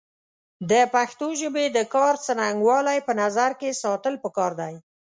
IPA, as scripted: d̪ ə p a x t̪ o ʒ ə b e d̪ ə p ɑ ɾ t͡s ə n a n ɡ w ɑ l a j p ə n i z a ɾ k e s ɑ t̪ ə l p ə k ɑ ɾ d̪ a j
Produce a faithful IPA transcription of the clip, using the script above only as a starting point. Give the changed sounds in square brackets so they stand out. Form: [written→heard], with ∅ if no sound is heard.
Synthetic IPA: d̪ ə p a x t̪ o ʒ ə b e d̪ ə [p→k] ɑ ɾ t͡s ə n a [n→ŋ] ɡ w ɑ l a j p ə n [i→a] z a ɾ k e s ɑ t̪ ə l p ə k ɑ ɾ d̪ a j